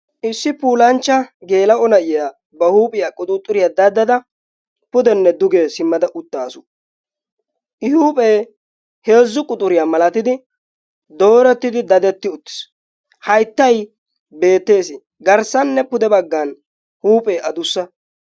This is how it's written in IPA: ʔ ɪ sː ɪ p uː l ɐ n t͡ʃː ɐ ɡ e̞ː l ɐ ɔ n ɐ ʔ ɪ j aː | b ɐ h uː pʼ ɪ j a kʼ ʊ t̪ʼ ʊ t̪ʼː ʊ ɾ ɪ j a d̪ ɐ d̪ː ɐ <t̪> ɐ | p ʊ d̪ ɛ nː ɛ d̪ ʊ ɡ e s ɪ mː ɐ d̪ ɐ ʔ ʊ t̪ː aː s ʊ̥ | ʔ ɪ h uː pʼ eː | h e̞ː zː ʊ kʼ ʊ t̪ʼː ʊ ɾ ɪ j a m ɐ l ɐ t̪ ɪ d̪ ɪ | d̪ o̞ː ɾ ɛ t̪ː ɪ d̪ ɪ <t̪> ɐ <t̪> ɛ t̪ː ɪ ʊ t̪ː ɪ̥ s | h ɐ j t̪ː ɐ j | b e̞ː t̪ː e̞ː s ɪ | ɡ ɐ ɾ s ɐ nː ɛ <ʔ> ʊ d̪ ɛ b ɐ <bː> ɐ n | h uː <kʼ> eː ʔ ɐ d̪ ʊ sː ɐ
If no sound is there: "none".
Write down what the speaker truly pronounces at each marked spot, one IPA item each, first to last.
d̪, d̪, d̪, p, ɡː, pʼ

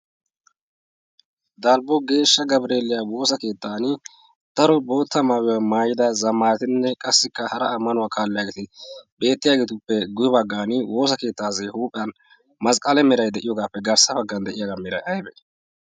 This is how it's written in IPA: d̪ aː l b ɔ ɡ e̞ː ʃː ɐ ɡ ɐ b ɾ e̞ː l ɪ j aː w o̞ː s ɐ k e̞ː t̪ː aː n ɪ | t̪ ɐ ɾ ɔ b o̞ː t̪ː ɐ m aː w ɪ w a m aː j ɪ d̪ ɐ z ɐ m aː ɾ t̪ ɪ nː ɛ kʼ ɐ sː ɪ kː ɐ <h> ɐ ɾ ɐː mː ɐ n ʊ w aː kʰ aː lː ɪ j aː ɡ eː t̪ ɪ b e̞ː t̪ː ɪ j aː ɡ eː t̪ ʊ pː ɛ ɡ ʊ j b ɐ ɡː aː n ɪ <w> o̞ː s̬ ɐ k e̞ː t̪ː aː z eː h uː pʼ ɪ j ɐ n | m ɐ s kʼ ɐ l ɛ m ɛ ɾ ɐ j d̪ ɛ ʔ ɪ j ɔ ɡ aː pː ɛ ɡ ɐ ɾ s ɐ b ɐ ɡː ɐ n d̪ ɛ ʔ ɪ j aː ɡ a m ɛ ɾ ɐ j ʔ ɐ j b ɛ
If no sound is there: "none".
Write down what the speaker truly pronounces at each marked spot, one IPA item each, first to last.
h, w

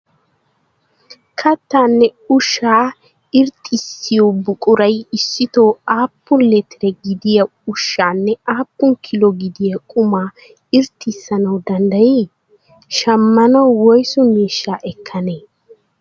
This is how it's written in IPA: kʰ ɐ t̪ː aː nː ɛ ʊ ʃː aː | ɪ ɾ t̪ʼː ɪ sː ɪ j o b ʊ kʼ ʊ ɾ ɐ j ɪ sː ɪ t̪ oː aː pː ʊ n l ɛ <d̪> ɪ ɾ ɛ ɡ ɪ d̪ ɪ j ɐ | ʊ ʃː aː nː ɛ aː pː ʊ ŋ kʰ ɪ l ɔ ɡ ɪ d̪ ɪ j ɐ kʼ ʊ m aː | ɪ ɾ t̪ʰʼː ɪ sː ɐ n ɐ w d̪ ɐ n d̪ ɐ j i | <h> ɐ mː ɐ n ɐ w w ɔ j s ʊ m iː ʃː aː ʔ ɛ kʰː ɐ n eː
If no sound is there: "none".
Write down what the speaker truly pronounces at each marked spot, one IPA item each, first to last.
t̪, ʃ

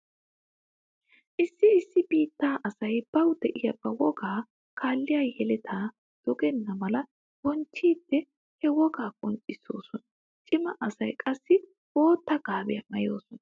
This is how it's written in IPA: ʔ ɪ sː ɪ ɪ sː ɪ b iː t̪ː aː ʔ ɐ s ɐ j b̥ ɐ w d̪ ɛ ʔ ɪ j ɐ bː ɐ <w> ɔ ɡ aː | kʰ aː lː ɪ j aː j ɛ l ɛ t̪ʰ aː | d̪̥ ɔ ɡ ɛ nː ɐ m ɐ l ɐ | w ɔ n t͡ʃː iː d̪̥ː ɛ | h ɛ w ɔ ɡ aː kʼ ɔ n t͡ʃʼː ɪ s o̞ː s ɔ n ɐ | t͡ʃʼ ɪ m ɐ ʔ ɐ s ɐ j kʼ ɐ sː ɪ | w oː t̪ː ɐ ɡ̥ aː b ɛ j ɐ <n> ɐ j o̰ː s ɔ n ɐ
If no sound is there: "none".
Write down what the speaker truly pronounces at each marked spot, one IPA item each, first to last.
w, m

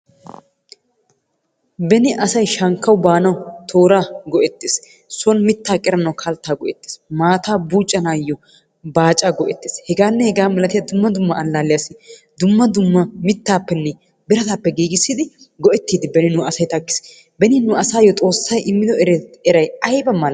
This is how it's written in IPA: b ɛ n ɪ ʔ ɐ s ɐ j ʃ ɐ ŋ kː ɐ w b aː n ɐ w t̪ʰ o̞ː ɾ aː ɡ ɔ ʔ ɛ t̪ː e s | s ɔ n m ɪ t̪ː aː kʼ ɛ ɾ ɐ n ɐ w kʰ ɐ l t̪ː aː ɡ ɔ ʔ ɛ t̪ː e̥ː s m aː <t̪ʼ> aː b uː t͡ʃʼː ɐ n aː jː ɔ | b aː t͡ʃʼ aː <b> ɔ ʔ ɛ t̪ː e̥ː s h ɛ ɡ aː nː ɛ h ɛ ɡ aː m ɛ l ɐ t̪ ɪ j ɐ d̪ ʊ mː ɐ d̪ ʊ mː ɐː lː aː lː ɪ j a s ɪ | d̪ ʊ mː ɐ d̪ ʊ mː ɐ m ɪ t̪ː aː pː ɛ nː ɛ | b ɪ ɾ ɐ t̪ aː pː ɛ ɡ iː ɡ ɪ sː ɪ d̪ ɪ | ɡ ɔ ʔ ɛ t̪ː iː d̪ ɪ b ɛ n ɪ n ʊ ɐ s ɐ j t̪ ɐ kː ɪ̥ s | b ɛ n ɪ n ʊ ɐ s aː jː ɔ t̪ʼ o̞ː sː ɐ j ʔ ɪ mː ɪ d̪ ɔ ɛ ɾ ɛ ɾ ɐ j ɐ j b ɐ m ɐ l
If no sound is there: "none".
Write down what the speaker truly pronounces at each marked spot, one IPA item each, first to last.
t̪, ɡ

